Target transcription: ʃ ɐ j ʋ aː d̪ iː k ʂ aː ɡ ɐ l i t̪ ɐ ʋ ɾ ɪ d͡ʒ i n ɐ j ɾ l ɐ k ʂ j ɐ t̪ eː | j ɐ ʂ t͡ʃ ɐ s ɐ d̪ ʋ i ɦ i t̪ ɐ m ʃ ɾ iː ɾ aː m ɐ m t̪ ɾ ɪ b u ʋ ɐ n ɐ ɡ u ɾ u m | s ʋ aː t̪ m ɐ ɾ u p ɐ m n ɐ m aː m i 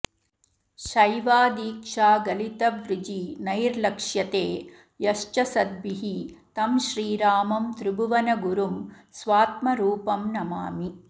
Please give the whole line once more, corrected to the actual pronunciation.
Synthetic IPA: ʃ ɐ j ʋ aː d̪ iː k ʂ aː ɡ ɐ l i t̪ ɐ ʋ ɾ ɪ d͡ʒ i n ɐ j ɾ l ɐ k ʂ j ɐ t̪ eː | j ɐ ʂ t͡ʃ ɐ s ɐ d̪ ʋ i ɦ i t̪ ɐ m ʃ ɾ iː ɾ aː m ɐ m t̪ ɾ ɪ b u ʋ ɐ n ɐ ɡ u ɾ u m | s ʋ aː t̪ m ɐ ɾ uː p ɐ m n ɐ m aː m i

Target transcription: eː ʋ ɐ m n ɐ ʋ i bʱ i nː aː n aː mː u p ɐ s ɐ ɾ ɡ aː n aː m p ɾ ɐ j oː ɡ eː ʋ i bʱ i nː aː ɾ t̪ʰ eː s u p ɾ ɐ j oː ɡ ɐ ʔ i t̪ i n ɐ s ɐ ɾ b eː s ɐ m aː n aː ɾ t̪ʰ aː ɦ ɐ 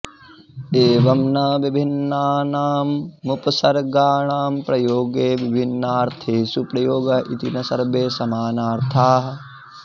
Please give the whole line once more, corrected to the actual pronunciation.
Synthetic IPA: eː ʋ ɐ m n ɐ ʋ i bʱ i nː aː n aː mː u p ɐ s ɐ ɾ ɡ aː ɳ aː m p ɾ ɐ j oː ɡ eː ʋ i bʱ i nː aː ɾ t̪ʰ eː s u p ɾ ɐ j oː ɡ ɐ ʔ i t̪ i n ɐ s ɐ ɾ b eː s ɐ m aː n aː ɾ t̪ʰ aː ɦ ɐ

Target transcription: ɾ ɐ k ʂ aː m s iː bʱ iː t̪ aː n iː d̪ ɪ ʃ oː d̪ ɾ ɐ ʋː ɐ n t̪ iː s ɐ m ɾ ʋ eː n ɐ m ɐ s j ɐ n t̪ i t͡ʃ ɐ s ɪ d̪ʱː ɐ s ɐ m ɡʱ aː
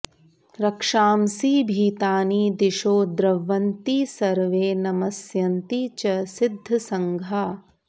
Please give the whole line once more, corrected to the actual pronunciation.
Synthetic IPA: ɾ ɐ k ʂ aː m s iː bʱ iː t̪ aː n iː d̪ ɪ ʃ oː d̪ ɾ ɐ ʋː ɐ n t̪ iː s ɐ ɾ ʋ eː n ɐ m ɐ s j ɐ n t̪ i t͡ʃ ɐ s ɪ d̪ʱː ɐ s ɐ ŋ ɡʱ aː

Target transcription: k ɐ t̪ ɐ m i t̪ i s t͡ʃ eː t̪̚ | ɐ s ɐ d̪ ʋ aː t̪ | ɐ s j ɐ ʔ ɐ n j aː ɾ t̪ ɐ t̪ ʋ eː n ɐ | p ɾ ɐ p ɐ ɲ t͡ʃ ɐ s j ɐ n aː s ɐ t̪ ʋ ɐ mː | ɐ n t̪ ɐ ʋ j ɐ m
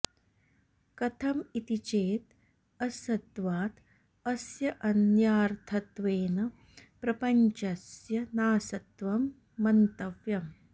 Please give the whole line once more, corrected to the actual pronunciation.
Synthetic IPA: k ɐ t̪ʰ ɐ m i t̪ i t͡ʃ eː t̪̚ | ɐ s ɐ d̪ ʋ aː t̪ | ɐ s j ɐ ʔ ɐ n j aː ɾ t̪ʰ ɐ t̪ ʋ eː n ɐ | p ɾ ɐ p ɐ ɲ t͡ʃ ɐ s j ɐ n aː s ɐ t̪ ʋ ɐ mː | ɐ n t̪ ɐ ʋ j ɐ m

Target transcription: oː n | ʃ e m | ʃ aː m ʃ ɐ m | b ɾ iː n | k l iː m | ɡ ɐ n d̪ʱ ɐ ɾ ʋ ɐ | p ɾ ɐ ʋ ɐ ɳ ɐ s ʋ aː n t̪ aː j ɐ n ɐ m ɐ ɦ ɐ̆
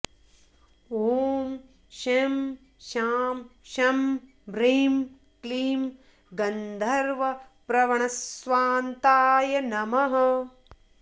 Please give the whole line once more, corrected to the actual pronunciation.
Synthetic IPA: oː m | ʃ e m | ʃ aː m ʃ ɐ m | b ɾ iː m | k l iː m | ɡ ɐ n d̪ʱ ɐ ɾ ʋ ɐ | p ɾ ɐ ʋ ɐ ɳ ɐ s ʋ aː n t̪ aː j ɐ n ɐ m ɐ ɦ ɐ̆

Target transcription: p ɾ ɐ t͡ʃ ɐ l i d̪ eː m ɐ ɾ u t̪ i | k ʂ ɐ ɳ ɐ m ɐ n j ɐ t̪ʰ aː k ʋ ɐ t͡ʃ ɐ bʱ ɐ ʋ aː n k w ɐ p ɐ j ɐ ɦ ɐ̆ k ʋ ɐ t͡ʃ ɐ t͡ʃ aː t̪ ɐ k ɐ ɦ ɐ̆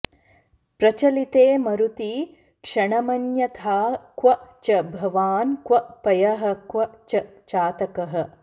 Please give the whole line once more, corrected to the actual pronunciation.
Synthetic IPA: p ɾ ɐ t͡ʃ ɐ l i t̪ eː m ɐ ɾ u t̪ i | k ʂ ɐ ɳ ɐ m ɐ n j ɐ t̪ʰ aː k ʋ ɐ t͡ʃ ɐ bʱ ɐ ʋ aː n k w ɐ p ɐ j ɐ ɦ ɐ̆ k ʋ ɐ t͡ʃ ɐ t͡ʃ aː t̪ ɐ k ɐ ɦ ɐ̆

